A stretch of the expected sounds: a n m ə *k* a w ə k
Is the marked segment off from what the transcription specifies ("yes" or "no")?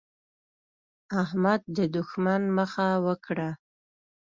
yes